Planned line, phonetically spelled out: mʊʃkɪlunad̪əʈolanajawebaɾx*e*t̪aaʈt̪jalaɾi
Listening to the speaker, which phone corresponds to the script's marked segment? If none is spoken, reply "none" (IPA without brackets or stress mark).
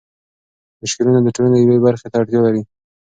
e